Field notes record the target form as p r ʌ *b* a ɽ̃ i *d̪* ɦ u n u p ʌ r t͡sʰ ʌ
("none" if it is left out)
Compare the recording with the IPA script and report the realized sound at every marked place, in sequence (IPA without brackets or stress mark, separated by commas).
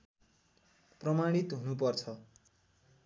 m, t̪